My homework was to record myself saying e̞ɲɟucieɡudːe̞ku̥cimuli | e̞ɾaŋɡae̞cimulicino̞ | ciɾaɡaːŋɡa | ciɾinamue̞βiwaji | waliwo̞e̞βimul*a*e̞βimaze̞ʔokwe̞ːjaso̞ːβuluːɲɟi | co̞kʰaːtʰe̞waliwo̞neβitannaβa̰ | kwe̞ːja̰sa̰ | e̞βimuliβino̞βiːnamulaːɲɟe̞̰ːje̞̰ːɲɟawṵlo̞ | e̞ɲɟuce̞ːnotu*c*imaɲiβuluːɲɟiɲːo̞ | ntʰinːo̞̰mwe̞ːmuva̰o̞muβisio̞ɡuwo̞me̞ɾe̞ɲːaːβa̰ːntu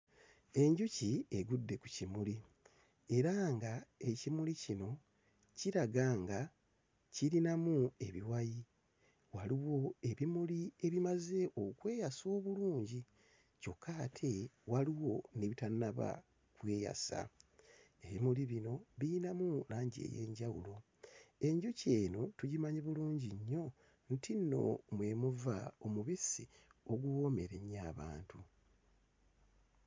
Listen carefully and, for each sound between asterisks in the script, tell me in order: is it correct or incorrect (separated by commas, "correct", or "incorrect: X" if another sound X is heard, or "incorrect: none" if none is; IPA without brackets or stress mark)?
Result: incorrect: i, incorrect: ɟ